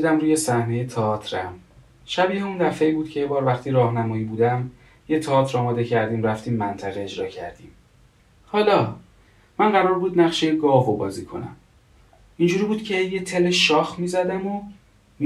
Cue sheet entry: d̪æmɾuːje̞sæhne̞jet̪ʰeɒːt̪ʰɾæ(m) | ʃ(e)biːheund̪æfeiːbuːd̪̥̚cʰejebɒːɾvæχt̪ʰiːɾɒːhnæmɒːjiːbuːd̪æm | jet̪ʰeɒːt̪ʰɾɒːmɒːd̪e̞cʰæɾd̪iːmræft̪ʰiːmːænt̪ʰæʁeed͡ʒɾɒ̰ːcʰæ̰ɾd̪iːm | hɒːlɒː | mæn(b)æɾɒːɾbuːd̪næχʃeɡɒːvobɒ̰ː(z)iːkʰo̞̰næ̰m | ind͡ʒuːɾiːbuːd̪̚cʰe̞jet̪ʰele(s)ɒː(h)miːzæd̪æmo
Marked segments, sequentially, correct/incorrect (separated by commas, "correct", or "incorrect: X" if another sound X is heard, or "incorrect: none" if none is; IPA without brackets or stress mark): correct, incorrect: æ, incorrect: ɢ, correct, incorrect: ʃ, incorrect: x